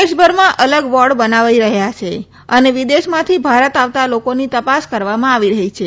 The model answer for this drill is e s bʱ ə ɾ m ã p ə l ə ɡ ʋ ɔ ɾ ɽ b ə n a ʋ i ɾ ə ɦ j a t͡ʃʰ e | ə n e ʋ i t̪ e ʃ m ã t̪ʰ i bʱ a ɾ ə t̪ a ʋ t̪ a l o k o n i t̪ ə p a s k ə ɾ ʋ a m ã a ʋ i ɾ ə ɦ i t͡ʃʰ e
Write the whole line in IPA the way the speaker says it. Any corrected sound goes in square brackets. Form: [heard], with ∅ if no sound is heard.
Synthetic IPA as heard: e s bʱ ə ɾ m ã [ʔ] ə l ə ɡ ʋ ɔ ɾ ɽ b ə n a ʋ i ɾ ə ɦ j a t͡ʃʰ e | ə n e ʋ i [d̪] e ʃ m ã t̪ʰ i bʱ a ɾ ə t̪ a ʋ t̪ a l o k o n i t̪ ə p a s k ə ɾ ʋ a m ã a ʋ i ɾ ə ɦ i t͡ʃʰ e